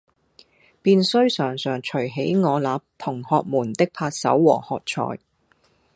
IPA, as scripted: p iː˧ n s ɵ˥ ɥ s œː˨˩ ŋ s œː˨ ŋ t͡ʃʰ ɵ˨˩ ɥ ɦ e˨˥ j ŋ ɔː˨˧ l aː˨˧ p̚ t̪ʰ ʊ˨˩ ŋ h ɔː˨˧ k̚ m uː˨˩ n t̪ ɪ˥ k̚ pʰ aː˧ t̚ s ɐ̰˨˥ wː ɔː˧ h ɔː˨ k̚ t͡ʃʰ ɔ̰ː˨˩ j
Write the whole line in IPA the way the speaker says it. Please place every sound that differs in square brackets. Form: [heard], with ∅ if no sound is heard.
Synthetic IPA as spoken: p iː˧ n s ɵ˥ ɥ s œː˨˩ ŋ s œː˨ ŋ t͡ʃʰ ɵ˨˩ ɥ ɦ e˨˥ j ŋ ɔː˨˧ l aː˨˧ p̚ t̪ʰ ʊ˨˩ ŋ h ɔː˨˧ k̚ m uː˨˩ n t̪ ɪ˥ k̚ pʰ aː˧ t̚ s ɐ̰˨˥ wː [ɔː˨˩] h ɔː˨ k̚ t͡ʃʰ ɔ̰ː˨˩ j